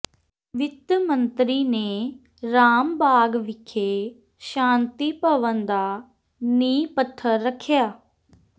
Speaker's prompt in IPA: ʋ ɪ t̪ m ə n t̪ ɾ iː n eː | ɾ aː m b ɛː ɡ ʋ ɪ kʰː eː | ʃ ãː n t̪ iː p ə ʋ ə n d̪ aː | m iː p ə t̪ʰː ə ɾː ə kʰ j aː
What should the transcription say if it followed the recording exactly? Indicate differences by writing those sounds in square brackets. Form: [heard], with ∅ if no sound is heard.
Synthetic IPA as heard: ʋ ɪ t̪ m ə n t̪ ɾ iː n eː | ɾ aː m b [aː] ɡ ʋ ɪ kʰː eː | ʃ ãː n t̪ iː p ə ʋ ə n d̪ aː | [n] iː p ə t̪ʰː ə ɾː ə kʰ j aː